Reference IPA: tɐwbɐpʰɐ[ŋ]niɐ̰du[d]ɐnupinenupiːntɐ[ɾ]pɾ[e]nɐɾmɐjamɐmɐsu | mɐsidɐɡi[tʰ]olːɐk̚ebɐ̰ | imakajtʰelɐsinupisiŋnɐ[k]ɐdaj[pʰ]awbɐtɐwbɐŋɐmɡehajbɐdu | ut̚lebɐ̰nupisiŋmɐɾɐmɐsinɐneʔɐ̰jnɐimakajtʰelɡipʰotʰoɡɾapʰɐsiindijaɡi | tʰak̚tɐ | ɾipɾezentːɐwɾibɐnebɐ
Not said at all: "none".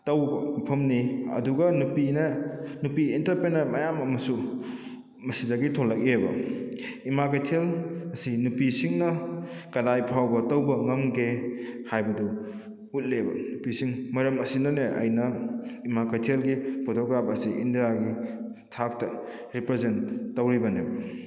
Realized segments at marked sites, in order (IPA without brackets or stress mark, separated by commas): m, ɡ, ɾ, e, tʰ, k, pʰ